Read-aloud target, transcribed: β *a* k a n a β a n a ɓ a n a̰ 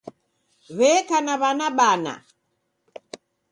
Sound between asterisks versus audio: incorrect: ɛ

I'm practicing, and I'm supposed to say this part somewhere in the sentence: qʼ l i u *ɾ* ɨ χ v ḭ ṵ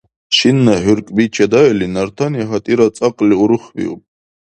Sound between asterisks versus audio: correct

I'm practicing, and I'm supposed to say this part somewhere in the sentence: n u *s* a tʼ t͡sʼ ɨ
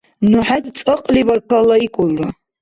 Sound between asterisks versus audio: incorrect: ħ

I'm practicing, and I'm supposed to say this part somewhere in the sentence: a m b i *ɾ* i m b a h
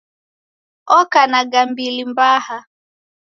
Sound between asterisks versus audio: incorrect: l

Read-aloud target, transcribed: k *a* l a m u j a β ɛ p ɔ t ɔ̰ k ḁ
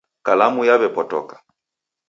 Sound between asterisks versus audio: correct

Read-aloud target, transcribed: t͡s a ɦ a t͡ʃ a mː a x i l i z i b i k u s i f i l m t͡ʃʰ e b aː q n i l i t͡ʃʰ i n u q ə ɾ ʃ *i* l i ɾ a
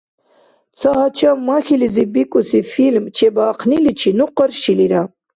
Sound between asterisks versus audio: correct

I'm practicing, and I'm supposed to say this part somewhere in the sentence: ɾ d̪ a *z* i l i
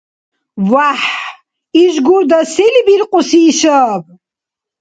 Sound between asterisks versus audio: incorrect: s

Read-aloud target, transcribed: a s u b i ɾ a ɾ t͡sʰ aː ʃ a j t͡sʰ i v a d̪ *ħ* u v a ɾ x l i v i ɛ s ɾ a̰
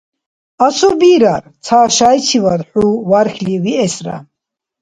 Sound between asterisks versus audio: correct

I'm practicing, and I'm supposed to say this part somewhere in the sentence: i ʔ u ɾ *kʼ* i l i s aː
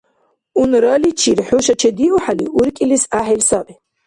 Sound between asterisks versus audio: correct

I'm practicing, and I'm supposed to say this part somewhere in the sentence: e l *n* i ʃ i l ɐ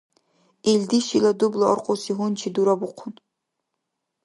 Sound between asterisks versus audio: incorrect: d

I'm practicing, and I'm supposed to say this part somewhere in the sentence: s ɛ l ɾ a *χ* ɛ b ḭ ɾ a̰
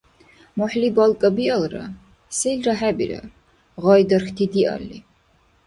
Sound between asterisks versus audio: incorrect: ħ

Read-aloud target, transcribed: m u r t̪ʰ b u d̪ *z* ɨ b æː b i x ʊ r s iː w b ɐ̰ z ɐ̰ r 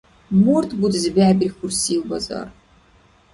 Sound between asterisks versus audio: correct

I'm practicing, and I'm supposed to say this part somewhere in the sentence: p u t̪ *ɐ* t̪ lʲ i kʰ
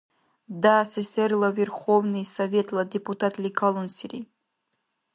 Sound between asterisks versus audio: incorrect: a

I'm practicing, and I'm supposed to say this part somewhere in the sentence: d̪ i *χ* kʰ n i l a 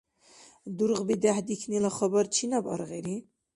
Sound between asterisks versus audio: incorrect: none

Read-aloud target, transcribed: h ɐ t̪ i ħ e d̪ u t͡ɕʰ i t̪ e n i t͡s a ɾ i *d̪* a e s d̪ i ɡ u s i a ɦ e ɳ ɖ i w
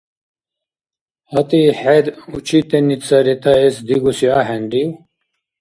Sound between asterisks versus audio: incorrect: t̪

